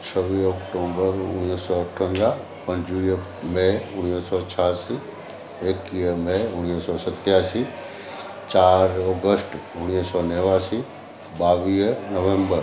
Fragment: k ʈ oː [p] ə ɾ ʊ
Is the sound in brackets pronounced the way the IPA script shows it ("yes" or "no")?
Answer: no